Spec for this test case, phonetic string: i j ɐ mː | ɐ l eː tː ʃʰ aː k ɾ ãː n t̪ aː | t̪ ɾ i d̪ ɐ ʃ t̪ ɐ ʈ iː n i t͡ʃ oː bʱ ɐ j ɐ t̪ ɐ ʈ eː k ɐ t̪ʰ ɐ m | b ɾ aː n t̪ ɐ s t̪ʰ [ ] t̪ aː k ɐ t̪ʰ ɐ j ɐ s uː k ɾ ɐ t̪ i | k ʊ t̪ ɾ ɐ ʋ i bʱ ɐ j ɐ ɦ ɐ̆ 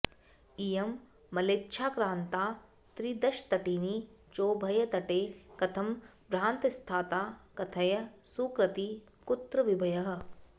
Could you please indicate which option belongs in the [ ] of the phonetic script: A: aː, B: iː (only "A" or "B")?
A